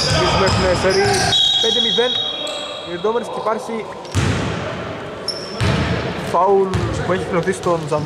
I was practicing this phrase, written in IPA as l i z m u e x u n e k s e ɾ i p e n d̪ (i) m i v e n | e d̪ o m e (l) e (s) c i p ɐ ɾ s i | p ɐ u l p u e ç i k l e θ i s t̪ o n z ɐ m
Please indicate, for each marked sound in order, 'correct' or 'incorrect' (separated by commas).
incorrect, incorrect, correct